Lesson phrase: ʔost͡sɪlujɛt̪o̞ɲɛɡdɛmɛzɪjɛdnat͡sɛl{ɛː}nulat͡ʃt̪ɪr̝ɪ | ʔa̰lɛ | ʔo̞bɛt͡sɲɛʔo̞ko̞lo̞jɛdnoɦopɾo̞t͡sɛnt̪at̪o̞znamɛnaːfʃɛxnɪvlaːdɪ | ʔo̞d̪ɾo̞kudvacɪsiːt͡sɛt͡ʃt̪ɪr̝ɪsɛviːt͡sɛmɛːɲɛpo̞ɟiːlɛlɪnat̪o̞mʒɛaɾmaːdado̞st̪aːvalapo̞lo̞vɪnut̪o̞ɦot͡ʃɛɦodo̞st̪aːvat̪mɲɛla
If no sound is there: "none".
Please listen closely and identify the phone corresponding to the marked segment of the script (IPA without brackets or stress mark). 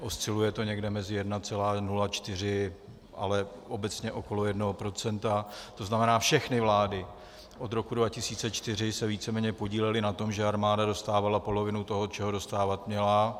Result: aː